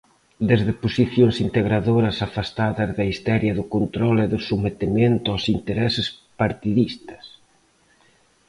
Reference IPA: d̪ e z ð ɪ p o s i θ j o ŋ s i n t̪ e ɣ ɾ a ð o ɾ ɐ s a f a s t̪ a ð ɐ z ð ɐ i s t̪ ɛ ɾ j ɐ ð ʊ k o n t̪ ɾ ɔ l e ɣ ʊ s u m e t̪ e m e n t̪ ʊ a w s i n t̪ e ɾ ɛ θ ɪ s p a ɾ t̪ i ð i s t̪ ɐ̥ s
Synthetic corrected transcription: d̪ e z ð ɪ p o s i θ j o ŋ s i n t̪ e ɣ ɾ a ð o ɾ ɐ s a f a s t̪ a ð ɐ z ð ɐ i s t̪ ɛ ɾ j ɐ ð ʊ k o n t̪ ɾ ɔ l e ð ʊ s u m e t̪ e m e n t̪ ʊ a w s i n t̪ e ɾ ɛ s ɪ s p a ɾ t̪ i ð i s t̪ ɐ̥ s